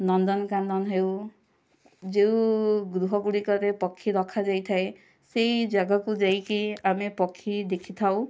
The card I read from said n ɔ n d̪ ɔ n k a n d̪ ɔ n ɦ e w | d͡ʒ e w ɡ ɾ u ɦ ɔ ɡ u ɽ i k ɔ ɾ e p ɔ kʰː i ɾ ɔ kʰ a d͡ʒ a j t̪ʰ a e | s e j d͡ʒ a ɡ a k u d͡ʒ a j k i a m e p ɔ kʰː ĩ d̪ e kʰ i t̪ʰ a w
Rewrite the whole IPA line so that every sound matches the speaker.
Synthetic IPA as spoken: n ɔ n d̪ ɔ n k a n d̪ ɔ n ɦ e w | d͡ʒ e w ɡ ɾ u ɦ ɔ ɡ u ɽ i k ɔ ɾ e p ɔ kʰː i ɾ ɔ kʰ a d͡ʒ a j t̪ʰ a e | s e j d͡ʒ a ɡ a k u d͡ʒ a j k i a m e p ɔ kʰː i d̪ e kʰ i t̪ʰ a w

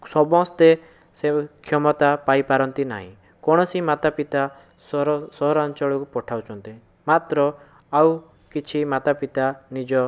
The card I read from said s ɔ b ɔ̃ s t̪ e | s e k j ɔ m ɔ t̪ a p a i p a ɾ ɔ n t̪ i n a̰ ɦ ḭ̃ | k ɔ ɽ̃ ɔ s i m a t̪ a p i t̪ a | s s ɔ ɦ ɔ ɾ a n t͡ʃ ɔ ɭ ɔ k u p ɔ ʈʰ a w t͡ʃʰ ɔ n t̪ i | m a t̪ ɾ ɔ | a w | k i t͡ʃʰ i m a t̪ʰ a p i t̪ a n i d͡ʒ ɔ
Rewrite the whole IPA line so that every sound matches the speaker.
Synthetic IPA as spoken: s ɔ b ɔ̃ s t̪ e | s e kʰ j ɔ m ɔ t̪ a p a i p a ɾ ɔ n t̪ i n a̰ ɦ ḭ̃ | k ɔ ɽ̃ ɔ s i m a t̪ a p i t̪ a | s s ɔ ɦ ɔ ɾ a n t͡ʃ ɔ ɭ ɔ k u p ɔ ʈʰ a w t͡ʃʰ ɔ n t̪ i | m a t̪ ɾ ɔ | a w | k i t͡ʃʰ i m a t̪ a p i t̪ a n i d͡ʒ ɔ

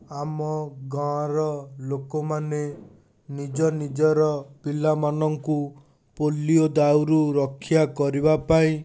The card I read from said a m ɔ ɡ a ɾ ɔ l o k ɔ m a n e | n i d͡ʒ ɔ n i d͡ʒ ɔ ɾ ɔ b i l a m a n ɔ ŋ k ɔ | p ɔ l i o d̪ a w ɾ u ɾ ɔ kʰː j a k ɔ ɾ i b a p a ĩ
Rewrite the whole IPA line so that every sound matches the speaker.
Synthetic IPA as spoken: a m ɔ ɡ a ɾ ɔ l o k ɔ m a n e | n i d͡ʒ ɔ n i d͡ʒ ɔ ɾ ɔ p i l a m a n ɔ ŋ k u | p o l i o d̪ a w ɾ u ɾ ɔ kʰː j a k ɔ ɾ i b a p a ĩ

